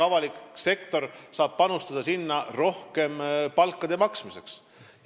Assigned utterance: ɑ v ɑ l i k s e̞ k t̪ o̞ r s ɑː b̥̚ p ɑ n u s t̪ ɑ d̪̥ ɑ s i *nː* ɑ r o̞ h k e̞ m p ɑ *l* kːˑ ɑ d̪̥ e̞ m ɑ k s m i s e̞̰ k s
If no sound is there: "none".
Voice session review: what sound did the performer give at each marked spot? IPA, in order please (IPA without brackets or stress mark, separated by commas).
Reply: nː, l